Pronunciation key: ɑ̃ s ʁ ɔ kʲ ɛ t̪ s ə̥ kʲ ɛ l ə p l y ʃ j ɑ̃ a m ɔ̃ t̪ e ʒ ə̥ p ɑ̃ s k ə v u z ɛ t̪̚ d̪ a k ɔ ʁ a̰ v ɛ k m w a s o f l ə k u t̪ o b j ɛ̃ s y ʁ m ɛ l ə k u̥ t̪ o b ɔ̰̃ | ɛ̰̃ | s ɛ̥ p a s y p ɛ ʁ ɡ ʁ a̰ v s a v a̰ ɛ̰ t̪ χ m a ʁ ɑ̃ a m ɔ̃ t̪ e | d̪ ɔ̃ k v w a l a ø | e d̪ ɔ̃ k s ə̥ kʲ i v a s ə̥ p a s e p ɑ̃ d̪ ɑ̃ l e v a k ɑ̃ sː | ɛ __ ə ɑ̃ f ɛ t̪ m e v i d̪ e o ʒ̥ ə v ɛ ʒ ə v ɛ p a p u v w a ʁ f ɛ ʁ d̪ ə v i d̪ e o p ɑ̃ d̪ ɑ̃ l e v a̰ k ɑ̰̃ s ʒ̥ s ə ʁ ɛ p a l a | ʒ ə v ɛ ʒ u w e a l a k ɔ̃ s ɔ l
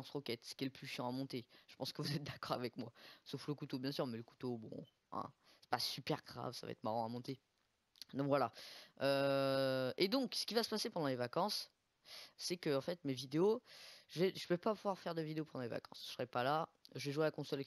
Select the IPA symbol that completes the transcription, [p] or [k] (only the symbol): k